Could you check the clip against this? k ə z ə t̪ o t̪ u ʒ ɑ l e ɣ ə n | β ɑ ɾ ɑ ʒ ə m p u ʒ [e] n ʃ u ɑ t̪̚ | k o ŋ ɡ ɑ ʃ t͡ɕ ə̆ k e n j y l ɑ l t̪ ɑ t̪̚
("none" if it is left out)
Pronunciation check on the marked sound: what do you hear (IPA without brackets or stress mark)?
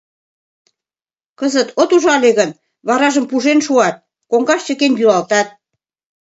e